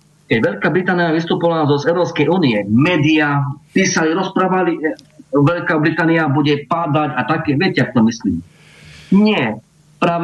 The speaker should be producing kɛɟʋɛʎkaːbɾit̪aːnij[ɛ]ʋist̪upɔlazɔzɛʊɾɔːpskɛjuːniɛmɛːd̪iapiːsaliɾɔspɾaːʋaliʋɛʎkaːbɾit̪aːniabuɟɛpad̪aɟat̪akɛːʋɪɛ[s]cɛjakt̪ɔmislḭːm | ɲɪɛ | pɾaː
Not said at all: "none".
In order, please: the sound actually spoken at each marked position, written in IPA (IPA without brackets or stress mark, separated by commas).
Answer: a, none